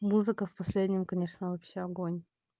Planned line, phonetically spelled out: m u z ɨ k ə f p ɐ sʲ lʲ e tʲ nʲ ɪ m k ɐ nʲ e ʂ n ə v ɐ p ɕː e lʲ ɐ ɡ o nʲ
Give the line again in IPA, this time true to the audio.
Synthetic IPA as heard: m u z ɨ k ə f p ɐ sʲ lʲ e dʲ nʲ ɪ m k ɐ nʲ e ʂ n ə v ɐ p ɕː e ɐ ɡ o nʲ